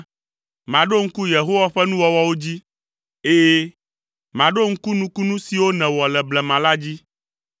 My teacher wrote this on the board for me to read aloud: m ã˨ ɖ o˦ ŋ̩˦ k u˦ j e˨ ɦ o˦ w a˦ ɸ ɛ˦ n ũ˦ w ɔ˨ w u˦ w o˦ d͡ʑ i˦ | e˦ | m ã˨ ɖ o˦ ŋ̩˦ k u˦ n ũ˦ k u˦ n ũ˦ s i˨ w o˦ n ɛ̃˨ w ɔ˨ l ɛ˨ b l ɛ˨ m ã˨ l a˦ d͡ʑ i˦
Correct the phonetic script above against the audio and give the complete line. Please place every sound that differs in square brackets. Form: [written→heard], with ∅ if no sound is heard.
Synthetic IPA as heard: m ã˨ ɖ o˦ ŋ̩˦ k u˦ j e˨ ɦ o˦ w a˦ ɸ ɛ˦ n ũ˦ w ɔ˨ w [u˦→ɔ˦] w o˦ d͡ʑ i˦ | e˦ | m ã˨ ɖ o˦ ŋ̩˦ k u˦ n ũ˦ k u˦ n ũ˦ s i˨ w o˦ n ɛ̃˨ w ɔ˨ l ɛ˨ b l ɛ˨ m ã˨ l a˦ d͡ʑ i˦